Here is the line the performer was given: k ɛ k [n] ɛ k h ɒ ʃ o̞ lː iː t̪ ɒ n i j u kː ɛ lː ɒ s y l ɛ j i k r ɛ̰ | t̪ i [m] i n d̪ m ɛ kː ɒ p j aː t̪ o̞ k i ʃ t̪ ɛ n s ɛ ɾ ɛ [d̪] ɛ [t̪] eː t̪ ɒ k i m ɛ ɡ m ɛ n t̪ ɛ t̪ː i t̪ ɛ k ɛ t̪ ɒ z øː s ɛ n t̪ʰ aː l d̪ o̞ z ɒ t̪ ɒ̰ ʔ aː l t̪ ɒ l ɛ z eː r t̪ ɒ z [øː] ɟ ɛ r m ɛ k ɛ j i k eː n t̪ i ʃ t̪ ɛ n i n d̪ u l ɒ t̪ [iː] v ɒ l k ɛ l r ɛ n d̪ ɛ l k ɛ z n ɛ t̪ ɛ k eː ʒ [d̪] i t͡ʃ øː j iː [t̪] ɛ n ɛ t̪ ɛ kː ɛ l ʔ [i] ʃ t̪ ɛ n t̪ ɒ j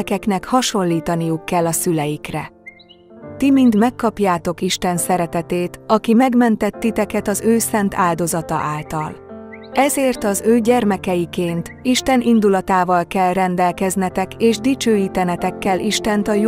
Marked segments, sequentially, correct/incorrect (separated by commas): correct, correct, incorrect, correct, correct, incorrect, correct, correct, correct